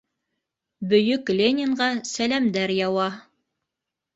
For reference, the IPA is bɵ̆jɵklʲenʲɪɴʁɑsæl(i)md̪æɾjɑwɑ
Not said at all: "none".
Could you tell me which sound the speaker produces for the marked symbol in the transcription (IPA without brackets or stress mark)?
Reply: æ